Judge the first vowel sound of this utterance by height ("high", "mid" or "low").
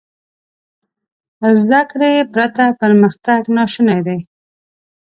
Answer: low